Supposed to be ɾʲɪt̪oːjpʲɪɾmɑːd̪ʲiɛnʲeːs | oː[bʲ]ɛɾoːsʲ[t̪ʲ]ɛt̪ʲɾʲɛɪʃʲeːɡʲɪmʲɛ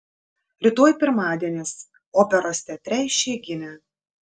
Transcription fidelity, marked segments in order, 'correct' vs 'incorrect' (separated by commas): incorrect, correct